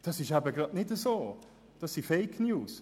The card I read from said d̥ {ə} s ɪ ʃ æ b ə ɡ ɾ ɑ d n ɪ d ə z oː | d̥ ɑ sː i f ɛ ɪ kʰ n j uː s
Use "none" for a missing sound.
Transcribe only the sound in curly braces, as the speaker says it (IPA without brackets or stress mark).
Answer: ɑ